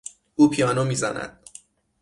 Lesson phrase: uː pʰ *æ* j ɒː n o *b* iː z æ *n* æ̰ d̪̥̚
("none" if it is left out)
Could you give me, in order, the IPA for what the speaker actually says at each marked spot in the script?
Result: i, m, n

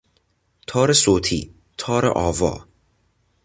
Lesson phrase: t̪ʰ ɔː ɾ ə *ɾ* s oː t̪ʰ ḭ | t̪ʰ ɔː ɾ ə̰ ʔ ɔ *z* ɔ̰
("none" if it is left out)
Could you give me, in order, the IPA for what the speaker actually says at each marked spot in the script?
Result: none, v

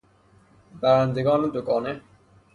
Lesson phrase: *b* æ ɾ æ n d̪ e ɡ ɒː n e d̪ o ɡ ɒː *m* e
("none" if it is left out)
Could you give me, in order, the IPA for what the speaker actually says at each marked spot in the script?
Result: b, n

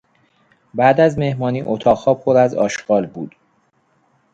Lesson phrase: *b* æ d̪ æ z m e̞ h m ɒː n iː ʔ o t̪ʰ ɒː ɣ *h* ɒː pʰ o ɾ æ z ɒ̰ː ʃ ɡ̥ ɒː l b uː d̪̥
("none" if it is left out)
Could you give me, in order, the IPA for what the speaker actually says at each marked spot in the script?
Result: b, h

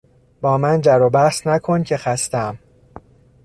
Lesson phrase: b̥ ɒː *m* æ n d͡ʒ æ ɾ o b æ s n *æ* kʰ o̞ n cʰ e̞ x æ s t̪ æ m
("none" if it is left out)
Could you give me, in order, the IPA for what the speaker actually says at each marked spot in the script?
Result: m, æ

